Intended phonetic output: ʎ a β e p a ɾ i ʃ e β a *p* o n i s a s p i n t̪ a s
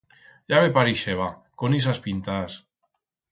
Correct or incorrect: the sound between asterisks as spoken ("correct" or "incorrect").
incorrect